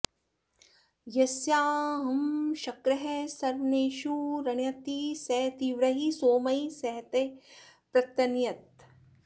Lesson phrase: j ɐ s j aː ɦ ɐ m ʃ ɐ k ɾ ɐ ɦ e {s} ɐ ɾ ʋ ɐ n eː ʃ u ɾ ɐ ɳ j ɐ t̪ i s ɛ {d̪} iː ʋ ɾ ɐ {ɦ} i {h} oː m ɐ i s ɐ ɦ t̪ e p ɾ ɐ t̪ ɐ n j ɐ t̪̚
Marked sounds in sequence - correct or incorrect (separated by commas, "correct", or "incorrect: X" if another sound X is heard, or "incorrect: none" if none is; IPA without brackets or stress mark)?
correct, incorrect: t̪, correct, incorrect: s